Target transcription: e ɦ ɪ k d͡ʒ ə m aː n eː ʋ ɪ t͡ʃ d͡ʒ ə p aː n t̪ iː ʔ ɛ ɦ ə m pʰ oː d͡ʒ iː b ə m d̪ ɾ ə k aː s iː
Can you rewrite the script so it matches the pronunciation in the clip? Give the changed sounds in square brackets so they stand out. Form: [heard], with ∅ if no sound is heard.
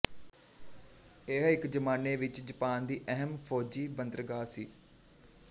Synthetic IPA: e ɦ ɪ k d͡ʒ ə m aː n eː ʋ ɪ t͡ʃ d͡ʒ ə p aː n [d̪] iː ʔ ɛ ɦ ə m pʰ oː d͡ʒ iː b ə [n] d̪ ɾ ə [ɡ] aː s iː